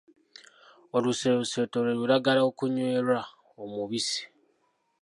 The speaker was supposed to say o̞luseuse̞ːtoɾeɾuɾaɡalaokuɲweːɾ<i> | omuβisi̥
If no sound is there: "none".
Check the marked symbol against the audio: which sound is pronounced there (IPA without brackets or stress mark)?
a